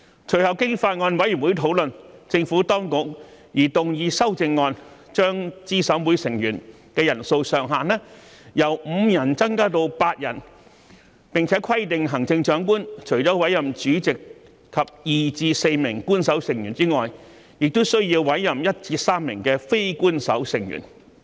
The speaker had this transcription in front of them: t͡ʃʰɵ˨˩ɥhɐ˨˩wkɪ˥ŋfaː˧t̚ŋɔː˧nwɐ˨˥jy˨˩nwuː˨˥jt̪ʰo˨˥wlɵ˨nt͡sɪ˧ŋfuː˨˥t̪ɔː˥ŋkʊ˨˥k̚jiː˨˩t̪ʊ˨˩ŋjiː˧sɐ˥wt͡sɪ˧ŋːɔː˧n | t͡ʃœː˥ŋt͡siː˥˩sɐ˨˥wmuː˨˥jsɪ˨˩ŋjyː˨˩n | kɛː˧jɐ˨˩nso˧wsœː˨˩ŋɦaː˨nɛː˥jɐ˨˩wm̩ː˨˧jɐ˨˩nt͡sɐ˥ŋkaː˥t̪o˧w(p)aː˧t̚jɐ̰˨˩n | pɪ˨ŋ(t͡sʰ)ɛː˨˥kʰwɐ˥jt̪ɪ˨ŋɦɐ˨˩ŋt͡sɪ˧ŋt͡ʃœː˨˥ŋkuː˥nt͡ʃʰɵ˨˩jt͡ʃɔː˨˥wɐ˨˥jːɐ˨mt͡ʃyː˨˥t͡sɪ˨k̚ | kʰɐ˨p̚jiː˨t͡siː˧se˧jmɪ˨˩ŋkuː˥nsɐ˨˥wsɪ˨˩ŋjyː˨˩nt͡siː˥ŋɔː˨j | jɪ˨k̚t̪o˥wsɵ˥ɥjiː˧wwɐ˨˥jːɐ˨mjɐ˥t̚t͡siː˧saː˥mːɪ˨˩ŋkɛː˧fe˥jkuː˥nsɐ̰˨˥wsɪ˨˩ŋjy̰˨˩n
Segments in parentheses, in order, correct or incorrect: correct, correct

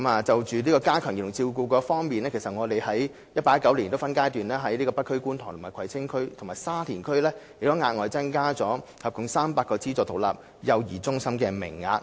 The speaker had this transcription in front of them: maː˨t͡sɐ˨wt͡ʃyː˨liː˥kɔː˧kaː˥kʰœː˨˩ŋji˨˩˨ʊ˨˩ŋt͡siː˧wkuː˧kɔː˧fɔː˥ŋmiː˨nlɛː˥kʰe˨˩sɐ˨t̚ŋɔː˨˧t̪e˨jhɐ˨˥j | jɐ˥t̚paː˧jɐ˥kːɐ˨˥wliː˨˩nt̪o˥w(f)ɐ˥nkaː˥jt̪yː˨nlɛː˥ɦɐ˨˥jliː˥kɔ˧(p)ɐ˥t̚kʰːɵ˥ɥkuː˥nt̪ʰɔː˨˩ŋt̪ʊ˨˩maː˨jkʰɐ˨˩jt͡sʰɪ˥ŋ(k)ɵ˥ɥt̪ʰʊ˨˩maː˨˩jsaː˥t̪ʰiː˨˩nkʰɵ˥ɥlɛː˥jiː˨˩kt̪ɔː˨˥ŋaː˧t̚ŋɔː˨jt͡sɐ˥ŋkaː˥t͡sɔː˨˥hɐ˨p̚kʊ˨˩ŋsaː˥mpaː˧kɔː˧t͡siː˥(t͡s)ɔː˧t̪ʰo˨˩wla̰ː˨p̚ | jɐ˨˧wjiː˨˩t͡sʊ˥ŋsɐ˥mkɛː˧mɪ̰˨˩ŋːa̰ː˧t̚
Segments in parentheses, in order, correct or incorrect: correct, correct, incorrect: kʰ, correct

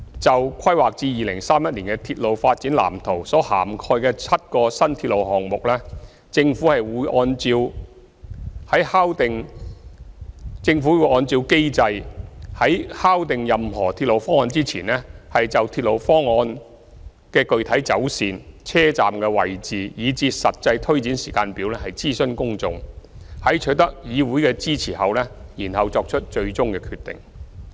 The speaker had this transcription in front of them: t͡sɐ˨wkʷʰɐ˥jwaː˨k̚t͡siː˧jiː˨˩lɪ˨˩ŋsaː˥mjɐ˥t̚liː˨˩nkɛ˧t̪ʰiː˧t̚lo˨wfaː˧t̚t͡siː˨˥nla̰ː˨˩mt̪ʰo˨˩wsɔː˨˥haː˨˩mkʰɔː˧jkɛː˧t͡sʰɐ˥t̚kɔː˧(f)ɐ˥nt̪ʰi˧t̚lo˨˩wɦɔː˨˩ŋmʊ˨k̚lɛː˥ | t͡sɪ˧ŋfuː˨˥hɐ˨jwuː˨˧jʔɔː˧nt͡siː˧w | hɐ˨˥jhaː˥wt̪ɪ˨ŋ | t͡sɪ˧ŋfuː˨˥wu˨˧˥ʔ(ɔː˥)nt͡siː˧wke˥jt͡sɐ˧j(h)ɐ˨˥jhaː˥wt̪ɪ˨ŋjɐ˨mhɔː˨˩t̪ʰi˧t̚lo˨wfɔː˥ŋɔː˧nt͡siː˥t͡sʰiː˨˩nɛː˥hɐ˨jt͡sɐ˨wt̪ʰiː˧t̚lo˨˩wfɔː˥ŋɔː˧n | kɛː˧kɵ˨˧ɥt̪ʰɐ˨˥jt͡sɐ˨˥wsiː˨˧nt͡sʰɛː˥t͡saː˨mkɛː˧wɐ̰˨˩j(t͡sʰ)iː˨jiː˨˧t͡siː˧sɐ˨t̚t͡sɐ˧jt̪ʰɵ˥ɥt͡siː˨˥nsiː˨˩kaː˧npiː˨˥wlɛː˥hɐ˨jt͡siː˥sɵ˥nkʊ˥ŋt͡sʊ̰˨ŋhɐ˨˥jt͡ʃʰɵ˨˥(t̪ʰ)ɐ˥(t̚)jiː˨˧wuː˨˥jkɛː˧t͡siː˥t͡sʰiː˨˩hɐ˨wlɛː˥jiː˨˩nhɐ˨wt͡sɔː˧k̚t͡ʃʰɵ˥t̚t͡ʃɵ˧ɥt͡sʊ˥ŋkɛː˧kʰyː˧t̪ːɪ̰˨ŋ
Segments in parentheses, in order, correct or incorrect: incorrect: s, incorrect: ɔː˧, correct, incorrect: t͡s, incorrect: t̪, incorrect: k̚

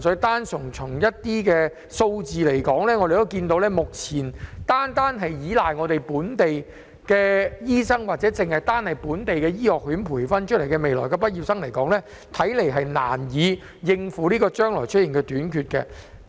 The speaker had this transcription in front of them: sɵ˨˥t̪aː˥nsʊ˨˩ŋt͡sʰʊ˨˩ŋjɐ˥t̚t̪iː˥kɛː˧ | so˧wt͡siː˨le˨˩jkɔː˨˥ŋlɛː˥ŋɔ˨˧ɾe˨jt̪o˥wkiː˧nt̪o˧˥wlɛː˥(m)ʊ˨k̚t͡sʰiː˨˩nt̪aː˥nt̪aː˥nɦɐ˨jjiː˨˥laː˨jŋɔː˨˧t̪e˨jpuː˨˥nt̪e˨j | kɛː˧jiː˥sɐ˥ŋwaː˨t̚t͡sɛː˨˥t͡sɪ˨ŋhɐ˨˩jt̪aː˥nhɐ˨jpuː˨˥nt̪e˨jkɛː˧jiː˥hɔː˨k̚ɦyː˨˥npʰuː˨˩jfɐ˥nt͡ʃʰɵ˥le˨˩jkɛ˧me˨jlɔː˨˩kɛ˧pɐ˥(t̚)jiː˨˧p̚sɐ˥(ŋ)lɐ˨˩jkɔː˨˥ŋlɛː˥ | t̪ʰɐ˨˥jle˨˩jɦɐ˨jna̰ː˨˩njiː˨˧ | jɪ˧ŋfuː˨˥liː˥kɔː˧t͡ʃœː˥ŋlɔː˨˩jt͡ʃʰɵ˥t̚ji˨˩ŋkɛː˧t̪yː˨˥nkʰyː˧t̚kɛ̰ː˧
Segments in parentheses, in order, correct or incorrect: correct, correct, correct

